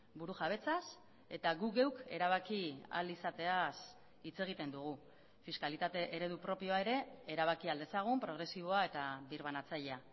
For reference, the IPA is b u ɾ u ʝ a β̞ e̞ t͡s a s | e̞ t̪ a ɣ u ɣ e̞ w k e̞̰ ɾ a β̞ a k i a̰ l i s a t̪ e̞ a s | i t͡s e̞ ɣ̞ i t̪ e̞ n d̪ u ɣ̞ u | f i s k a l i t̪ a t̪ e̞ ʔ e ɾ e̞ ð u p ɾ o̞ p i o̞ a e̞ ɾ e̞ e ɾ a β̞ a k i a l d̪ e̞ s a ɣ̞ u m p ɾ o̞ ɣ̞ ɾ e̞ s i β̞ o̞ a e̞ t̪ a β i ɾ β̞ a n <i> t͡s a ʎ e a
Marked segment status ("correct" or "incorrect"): incorrect